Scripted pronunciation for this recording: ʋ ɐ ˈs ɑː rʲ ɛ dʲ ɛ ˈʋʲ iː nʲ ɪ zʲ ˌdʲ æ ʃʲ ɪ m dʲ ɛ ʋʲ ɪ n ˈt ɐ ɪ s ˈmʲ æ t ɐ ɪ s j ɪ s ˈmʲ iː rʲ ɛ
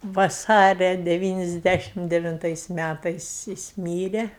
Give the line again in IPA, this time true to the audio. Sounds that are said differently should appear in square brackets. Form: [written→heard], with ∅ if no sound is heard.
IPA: ʋ ɐ ˈs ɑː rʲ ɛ dʲ ɛ ˈʋʲ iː nʲ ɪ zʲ ˌdʲ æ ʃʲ ɪ m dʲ ɛ ʋʲ ɪ n ˈt ɐ ɪ s ˈmʲ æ t ɐ ɪ s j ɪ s ˈmʲ iː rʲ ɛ